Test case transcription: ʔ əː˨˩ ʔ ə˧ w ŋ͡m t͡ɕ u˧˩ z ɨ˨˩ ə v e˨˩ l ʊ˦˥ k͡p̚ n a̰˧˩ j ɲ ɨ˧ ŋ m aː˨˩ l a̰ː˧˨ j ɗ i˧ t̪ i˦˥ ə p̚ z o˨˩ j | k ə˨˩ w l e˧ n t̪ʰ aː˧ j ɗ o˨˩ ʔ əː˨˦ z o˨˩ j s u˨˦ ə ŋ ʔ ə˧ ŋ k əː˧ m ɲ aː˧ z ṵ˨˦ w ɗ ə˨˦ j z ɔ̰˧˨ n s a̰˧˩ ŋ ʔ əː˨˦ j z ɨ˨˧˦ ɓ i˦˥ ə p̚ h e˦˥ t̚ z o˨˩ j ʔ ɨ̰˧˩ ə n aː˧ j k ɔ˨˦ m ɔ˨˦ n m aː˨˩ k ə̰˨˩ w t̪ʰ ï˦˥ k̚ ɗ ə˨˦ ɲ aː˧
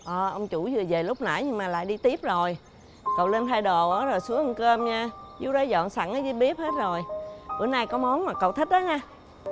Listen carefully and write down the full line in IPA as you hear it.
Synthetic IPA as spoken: ʔ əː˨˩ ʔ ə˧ w ŋ͡m t͡ɕ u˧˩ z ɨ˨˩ ə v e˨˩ l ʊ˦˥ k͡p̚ n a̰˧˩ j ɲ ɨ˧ ŋ m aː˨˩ l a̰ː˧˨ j ɗ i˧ t̪ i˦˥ ə p̚ z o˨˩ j | k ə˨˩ w l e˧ n t̪ʰ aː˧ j ɗ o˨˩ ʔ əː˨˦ z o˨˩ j s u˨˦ ə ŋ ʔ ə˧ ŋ k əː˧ m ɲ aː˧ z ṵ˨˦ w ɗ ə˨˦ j z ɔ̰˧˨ n s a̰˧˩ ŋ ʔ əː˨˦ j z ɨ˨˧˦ ɓ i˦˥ ə p̚ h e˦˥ t̚ z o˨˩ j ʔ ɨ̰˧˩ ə n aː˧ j k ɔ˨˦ m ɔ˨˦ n m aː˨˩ k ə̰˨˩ w t̪ʰ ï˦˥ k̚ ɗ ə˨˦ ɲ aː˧